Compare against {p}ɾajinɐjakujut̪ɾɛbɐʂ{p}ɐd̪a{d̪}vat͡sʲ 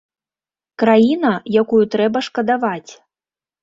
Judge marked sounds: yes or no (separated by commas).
no, no, no